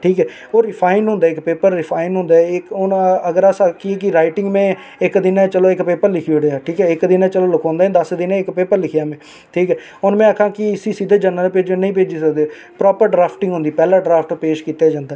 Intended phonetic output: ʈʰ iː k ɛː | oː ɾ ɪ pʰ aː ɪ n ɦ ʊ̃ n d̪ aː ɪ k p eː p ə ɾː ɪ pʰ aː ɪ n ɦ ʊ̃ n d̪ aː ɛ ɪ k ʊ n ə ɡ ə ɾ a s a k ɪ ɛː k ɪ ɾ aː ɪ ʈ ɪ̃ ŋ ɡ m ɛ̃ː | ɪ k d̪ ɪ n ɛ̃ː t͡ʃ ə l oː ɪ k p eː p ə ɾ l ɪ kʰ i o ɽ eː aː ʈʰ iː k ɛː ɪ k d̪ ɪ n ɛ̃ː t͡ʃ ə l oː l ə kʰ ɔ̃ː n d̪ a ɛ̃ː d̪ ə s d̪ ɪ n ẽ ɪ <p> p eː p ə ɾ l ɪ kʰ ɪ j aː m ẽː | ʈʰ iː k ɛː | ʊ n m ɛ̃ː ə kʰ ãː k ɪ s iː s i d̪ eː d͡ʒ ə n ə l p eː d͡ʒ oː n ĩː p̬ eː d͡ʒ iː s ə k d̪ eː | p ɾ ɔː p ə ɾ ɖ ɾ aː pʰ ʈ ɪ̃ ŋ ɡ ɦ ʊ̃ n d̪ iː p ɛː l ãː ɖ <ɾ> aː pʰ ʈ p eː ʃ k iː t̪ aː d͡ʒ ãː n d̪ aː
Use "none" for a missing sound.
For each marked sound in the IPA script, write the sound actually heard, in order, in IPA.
k, ɾ

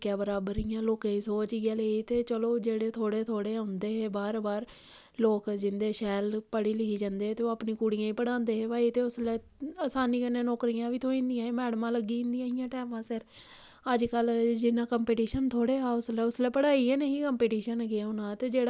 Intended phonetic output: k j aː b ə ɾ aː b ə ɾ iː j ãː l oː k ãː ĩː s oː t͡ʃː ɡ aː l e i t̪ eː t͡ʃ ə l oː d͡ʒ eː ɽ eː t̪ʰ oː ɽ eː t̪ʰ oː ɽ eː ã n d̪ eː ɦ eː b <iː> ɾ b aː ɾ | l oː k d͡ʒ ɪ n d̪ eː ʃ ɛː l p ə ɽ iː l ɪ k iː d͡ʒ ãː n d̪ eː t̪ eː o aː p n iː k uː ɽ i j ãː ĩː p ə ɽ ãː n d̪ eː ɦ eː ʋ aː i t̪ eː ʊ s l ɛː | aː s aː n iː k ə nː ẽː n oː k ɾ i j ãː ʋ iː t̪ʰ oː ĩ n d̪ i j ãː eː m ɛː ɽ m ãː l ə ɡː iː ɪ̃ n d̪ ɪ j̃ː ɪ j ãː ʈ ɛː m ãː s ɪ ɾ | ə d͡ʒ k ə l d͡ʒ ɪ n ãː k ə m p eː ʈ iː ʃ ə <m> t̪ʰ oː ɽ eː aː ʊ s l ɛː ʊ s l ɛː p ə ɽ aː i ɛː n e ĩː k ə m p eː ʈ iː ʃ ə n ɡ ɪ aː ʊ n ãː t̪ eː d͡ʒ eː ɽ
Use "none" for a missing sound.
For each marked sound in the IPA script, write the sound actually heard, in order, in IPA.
aː, n

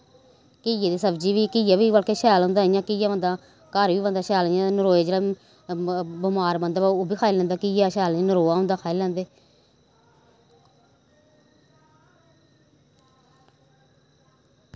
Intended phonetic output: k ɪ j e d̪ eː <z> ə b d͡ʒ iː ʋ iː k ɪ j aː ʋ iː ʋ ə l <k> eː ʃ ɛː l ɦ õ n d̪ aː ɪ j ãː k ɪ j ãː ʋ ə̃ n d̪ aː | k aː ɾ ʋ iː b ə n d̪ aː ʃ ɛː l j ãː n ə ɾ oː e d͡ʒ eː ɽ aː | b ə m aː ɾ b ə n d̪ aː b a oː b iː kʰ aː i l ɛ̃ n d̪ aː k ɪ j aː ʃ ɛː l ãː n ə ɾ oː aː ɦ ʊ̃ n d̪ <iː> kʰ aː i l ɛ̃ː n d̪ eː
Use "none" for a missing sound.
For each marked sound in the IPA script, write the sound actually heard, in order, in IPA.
s, k, aː

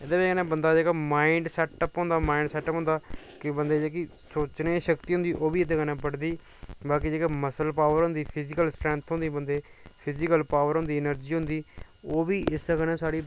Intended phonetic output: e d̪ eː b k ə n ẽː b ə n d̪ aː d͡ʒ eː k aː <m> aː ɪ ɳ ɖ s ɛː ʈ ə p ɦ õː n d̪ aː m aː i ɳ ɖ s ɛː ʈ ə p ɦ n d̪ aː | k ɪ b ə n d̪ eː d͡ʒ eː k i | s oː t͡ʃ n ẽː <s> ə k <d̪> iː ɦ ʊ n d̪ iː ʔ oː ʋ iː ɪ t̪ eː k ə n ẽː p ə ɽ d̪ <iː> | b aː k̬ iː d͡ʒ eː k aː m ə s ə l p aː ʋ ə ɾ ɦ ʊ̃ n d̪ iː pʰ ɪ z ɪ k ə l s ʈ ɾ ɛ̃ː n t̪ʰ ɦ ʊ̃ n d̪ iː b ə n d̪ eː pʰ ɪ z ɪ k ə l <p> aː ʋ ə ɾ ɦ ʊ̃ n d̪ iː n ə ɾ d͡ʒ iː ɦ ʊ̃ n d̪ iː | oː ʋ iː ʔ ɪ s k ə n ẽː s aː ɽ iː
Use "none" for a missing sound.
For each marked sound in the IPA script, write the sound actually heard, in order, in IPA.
m, ʃ, t̪, iː, p

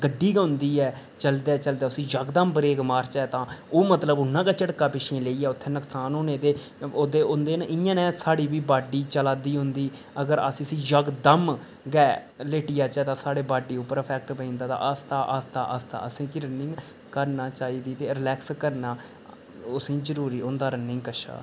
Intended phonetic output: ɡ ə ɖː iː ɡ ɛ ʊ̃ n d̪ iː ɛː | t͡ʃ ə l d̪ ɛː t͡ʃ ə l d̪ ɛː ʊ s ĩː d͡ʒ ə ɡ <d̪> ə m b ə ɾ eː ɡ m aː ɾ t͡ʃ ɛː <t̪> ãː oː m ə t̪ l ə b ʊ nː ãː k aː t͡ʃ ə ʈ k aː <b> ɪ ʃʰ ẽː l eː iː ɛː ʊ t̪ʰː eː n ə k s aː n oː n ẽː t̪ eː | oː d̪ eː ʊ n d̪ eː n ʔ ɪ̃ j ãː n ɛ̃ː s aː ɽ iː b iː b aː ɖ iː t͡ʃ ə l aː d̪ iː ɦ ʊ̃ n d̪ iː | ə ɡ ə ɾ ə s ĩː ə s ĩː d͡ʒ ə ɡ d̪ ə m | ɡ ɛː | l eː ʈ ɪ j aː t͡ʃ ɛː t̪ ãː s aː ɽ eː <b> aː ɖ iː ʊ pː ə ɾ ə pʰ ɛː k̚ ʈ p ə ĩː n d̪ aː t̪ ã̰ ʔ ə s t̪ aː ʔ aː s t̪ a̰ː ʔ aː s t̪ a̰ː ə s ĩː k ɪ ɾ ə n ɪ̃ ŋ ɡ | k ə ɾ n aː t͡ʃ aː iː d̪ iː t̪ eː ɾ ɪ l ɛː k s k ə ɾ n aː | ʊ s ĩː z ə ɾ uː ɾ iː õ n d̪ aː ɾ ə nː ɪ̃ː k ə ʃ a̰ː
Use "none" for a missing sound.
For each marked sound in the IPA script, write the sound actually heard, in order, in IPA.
d̪, t̪, p, b

